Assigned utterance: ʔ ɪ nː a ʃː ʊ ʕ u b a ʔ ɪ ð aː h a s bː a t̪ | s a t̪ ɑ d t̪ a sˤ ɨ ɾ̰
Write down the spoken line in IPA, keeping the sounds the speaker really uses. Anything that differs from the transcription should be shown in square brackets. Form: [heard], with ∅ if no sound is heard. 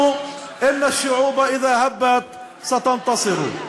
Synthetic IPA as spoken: ʔ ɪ nː a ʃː ʊ ʕ [uː] b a ʔ ɪ ð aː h a [∅] bː a t̪ | s a t̪ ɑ [n] t̪ [ɑ] sˤ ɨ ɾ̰